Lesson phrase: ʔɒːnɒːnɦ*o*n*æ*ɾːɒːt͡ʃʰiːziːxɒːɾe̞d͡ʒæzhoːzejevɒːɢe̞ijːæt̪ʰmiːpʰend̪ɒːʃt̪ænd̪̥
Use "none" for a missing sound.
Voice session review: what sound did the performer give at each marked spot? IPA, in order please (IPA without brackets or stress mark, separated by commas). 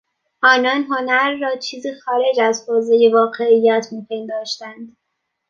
o, æ